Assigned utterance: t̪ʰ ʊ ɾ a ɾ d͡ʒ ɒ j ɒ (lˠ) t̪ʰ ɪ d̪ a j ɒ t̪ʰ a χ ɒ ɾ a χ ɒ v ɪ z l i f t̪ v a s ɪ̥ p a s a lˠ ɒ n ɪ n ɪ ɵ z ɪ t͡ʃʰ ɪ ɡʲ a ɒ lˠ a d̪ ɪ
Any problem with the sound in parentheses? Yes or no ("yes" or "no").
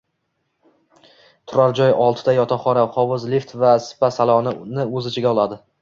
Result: no